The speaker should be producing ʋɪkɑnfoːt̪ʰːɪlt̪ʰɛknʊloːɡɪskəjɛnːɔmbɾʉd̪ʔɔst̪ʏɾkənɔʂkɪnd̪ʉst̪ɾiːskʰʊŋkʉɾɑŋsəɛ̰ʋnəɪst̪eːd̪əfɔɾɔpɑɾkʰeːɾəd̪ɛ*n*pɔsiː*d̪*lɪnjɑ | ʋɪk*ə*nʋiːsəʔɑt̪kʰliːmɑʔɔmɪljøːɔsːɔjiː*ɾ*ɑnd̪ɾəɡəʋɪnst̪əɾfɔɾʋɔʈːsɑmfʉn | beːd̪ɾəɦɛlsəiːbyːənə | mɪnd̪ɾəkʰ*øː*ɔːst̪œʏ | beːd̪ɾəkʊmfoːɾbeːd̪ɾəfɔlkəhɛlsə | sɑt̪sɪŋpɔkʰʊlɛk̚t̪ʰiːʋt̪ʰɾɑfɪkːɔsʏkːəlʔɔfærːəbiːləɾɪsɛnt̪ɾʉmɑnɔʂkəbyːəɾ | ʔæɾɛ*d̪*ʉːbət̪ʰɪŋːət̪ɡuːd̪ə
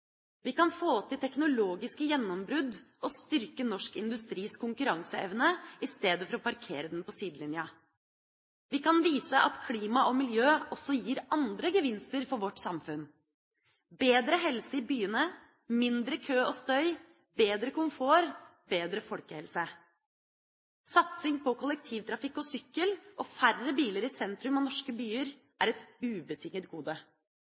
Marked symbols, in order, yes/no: yes, yes, no, yes, yes, no

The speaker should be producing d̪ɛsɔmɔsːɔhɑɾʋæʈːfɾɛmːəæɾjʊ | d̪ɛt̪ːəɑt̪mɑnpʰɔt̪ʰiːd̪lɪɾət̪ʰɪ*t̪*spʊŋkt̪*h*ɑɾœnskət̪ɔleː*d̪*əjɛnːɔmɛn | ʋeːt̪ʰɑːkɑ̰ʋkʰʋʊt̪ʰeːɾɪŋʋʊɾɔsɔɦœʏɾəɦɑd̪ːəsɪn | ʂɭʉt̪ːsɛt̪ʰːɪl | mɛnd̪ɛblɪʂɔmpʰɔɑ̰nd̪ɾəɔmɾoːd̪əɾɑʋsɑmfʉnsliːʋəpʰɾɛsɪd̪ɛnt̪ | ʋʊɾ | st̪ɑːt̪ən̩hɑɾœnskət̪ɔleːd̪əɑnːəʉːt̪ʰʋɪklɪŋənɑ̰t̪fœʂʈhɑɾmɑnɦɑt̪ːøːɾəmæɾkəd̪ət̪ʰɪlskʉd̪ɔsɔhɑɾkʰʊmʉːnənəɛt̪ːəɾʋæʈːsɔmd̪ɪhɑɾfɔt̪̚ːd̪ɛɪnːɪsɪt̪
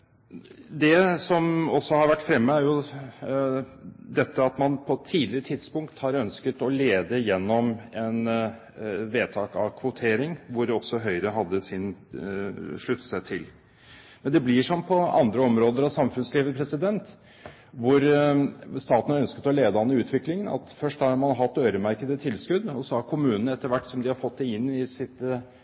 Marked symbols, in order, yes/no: no, yes, yes

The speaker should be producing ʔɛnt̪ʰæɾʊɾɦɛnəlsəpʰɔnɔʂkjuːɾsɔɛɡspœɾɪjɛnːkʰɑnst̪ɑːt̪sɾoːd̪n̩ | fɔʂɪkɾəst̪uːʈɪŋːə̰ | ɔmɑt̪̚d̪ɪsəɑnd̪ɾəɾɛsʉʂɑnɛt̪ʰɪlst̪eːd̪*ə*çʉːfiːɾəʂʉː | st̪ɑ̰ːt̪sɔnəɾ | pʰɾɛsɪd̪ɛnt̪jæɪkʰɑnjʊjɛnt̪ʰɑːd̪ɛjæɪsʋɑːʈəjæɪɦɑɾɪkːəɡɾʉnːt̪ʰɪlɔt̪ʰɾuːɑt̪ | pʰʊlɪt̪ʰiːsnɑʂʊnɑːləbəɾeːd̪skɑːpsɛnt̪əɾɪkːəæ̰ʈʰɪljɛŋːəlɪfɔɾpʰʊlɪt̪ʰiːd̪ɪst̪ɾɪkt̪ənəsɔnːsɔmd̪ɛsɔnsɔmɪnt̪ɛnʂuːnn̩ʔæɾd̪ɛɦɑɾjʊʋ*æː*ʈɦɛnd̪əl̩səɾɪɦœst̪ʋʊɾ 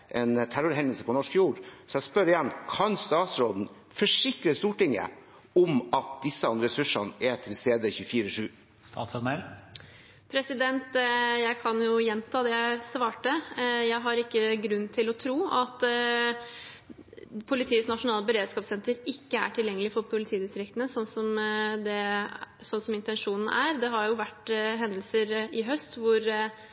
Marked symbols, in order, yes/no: yes, no

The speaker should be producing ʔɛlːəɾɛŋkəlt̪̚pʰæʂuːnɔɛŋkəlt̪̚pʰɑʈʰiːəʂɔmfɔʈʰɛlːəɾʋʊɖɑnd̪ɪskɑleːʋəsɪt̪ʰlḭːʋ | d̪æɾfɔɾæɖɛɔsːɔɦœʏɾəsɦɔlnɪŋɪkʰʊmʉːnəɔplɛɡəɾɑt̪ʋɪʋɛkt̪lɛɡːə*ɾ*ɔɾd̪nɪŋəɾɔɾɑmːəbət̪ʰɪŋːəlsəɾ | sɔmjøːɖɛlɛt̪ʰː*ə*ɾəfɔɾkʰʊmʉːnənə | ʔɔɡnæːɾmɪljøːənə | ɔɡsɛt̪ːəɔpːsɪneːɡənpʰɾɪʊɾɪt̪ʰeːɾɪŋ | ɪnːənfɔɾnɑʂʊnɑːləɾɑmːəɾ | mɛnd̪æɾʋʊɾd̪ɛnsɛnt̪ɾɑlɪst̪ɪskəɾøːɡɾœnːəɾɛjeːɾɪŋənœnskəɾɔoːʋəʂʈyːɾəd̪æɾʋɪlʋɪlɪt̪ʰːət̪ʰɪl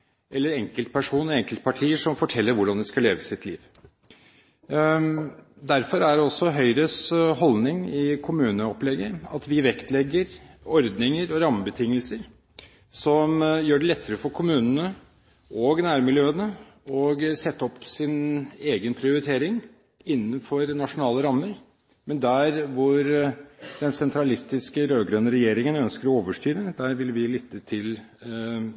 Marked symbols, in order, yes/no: yes, yes

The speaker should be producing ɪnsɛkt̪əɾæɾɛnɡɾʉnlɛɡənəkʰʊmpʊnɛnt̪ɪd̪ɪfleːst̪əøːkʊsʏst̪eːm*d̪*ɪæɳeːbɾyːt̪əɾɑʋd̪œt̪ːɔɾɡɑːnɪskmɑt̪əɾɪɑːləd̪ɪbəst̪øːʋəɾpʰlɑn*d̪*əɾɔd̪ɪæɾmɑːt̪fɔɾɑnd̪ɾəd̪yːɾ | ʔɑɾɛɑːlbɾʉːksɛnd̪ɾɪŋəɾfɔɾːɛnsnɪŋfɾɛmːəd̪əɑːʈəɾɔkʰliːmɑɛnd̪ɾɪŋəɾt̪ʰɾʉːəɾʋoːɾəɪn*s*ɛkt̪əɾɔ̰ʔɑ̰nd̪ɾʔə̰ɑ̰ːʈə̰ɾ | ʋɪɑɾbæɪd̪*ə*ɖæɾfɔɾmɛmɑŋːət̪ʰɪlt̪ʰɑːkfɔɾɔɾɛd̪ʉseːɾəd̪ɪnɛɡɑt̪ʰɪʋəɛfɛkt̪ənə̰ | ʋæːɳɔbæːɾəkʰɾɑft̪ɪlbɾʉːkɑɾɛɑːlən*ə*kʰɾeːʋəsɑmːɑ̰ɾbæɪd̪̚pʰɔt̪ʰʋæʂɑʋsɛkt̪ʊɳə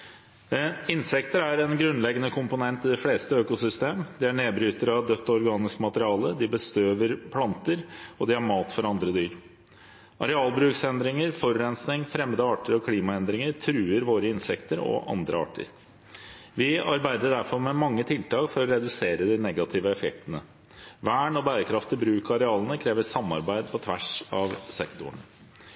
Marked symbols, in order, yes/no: yes, no, yes, yes, yes

